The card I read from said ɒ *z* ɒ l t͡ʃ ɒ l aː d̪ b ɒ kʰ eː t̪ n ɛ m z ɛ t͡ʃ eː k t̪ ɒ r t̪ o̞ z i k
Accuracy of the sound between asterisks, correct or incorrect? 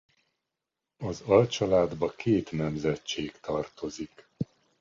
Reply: correct